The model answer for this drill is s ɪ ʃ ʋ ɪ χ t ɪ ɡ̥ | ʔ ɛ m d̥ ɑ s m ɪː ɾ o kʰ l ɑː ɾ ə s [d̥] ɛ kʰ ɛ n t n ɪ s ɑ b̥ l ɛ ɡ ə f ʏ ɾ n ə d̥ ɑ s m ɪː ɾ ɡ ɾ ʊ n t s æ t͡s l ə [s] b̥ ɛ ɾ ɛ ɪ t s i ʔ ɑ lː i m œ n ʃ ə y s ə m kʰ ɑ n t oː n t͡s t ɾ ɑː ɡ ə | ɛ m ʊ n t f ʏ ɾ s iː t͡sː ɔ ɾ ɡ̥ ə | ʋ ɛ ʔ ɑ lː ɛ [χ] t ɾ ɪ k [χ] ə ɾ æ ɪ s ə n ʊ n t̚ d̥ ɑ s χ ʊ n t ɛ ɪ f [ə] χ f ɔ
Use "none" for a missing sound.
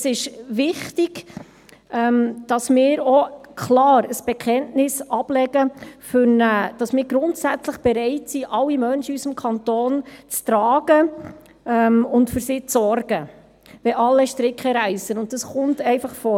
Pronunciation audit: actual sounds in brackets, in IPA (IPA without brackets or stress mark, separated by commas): b̥, χ, ʃ, χ, ɑ